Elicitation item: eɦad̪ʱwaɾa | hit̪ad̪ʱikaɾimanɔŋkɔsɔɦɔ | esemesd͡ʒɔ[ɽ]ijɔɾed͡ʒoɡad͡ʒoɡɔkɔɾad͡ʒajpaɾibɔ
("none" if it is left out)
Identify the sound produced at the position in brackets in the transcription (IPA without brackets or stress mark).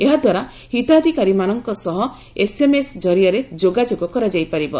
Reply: ɾ